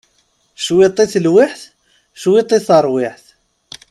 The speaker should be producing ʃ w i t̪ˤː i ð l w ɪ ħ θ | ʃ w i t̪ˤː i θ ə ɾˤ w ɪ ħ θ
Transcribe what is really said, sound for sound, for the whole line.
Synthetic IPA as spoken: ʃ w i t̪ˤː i θ l w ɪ ħ θ | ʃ w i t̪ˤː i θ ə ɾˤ w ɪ ħ θ